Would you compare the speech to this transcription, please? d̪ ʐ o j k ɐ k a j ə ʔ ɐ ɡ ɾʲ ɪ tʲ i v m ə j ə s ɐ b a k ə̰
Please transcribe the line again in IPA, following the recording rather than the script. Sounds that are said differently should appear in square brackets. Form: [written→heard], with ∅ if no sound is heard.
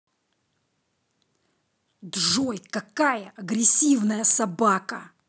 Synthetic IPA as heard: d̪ ʐ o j k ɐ k a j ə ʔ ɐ ɡ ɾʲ ɪ [tʲ→sʲ] i v [m→n] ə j ə s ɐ b a k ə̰